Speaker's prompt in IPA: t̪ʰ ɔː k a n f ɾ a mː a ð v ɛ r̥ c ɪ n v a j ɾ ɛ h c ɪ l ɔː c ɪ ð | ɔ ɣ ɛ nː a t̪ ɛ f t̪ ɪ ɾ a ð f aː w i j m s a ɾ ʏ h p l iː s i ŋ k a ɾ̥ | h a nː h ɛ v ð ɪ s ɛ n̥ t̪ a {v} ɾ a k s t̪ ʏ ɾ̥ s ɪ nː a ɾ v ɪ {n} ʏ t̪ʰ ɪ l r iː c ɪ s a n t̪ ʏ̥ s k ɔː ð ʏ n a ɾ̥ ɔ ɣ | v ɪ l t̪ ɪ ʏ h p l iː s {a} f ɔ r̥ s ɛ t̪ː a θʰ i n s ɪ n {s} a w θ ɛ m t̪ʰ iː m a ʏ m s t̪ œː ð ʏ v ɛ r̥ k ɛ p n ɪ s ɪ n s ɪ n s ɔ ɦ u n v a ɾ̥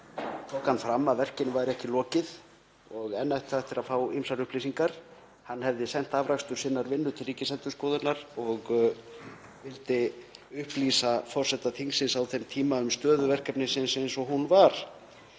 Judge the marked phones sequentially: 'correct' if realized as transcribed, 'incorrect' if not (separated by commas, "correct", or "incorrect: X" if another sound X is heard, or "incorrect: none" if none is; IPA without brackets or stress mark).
correct, incorrect: nː, correct, correct